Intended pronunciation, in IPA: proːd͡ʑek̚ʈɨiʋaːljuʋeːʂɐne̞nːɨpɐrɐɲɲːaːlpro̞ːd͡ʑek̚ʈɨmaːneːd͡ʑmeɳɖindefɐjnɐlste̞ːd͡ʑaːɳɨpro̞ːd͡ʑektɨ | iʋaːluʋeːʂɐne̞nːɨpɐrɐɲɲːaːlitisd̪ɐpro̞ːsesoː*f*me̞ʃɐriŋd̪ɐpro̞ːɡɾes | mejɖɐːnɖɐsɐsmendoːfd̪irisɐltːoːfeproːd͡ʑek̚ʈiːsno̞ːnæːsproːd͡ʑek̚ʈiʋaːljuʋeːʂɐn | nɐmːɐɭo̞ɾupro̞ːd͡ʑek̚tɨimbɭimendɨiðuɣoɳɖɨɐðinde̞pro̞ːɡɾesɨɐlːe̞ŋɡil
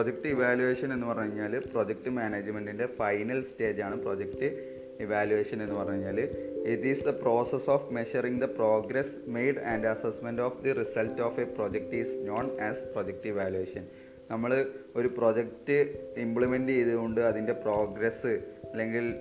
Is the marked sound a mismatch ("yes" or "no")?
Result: no